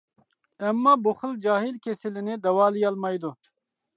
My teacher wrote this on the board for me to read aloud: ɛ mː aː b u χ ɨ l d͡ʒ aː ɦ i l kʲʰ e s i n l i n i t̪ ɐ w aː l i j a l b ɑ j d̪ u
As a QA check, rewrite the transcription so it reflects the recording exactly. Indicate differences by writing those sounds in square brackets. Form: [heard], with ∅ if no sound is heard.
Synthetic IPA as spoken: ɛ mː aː b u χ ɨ l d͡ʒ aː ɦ i l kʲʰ e s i [∅] l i n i [d̪] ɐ w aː l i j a l [m] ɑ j d̪ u